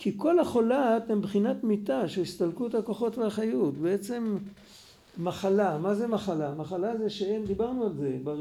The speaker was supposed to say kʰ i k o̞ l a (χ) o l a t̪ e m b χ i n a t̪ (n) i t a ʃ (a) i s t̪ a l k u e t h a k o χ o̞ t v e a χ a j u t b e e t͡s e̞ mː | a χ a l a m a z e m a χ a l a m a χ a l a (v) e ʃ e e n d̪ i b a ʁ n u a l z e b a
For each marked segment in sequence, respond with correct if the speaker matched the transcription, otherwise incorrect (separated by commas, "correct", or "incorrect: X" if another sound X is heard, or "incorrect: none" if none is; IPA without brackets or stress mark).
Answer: correct, incorrect: m, incorrect: e, incorrect: z